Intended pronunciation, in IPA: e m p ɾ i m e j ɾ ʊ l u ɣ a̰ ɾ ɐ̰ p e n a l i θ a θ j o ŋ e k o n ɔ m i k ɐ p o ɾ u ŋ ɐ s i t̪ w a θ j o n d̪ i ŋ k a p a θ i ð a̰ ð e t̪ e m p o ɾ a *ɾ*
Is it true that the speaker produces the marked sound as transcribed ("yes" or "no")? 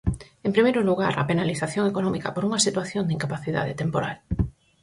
no